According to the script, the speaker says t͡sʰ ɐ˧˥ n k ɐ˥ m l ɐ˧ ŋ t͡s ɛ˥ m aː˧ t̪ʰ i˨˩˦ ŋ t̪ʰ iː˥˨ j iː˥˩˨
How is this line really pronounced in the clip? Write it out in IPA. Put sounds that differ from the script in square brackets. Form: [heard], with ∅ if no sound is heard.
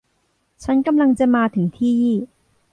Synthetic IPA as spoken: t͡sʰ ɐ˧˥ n k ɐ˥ m l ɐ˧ ŋ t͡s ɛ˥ m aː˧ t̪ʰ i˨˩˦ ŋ t̪ʰ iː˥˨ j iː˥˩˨